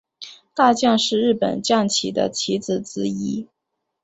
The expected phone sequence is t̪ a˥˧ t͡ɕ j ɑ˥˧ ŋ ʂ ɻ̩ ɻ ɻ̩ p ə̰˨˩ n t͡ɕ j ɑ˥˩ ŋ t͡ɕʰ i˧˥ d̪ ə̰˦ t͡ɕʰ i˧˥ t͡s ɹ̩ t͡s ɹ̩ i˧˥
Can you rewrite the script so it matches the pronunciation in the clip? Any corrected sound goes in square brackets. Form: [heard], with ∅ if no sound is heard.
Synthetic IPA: t̪ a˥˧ t͡ɕ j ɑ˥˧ ŋ ʂ ɻ̩ ɻ ɻ̩ p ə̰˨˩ n t͡ɕ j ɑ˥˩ ŋ t͡ɕʰ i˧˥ d̪ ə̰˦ t͡ɕʰ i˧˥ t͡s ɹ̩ t͡s ɹ̩ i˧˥